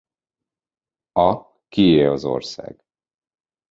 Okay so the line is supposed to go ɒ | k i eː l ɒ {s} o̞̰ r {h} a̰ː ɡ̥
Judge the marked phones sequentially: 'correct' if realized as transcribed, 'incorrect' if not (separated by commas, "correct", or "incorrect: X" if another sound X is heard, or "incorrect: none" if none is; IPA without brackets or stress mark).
incorrect: z, incorrect: s